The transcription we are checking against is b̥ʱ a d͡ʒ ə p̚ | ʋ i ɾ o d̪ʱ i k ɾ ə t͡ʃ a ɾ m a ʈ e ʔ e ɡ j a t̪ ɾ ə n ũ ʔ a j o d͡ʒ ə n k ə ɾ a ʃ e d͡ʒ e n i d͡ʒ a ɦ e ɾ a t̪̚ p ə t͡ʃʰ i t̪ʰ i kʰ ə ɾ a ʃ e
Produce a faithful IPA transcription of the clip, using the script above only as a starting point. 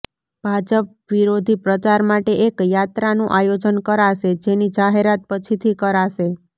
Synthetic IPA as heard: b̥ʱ a d͡ʒ ə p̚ | ʋ i ɾ o d̪ʱ i p ɾ ə t͡ʃ a ɾ m a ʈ e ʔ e k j a t̪ ɾ a n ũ ʔ a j o d͡ʒ ə n k ə ɾ a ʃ e d͡ʒ e n i d͡ʒ a ɦ e ɾ a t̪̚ p ə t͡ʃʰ i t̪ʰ i k ə ɾ a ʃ e